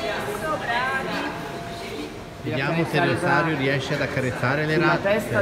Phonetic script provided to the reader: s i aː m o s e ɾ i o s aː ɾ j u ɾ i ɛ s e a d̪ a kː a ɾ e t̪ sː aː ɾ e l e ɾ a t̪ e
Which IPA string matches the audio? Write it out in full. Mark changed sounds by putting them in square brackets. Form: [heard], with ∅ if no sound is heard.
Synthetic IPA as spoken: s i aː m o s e ɾ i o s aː ɾ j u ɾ i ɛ [ʃ] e a d̪ a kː a ɾ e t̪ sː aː ɾ e l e ɾ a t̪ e